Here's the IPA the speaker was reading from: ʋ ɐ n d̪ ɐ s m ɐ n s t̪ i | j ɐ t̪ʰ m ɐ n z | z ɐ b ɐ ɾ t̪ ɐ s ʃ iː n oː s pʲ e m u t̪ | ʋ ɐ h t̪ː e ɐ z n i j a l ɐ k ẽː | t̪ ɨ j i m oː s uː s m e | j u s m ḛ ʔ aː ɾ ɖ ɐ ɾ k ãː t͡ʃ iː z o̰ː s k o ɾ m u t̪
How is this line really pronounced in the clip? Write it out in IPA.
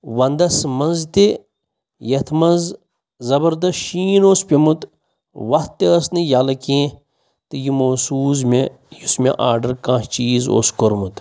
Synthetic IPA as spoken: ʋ ɐ n d̪ ɐ s m ɐ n z t̪ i | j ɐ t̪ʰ m ɐ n z | z ɐ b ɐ ɾ d̪ ɐ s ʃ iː n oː s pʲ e m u t̪ | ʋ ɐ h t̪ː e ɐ s n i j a l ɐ k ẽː | t̪ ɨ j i m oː s uː z m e | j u s m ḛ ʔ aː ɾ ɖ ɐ ɾ k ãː t͡ʃ iː z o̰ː s k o ɾ m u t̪